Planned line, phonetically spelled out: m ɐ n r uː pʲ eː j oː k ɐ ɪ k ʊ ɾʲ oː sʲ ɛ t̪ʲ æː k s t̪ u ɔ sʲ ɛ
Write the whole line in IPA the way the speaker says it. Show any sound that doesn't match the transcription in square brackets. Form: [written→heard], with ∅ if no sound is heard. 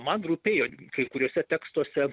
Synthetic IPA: m ɐ n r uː pʲ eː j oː k ɐ ɪ k ʊ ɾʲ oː sʲ ɛ t̪ʲ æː k s t̪ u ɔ sʲ ɛ